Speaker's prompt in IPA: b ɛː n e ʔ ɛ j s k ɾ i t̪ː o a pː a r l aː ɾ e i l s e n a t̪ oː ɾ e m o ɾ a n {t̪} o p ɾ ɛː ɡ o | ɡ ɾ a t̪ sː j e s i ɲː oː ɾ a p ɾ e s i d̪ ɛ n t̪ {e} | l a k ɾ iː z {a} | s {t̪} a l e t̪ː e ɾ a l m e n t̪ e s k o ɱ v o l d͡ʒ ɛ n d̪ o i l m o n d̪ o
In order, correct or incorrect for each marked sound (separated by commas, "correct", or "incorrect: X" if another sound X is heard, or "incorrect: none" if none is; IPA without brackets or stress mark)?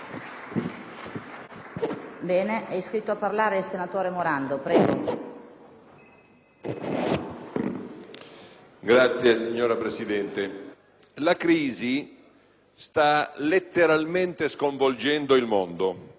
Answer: incorrect: d̪, correct, incorrect: i, correct